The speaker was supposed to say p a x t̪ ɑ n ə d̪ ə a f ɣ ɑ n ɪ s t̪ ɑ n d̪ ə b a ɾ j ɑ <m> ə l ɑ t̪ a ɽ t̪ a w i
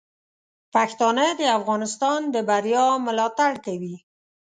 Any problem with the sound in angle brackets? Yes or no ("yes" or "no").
no